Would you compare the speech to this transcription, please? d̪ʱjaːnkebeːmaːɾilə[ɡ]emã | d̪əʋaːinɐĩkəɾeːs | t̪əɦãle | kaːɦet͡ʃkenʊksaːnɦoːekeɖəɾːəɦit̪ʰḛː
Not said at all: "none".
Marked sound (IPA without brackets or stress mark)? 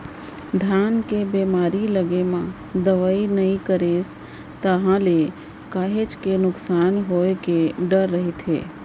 ɡ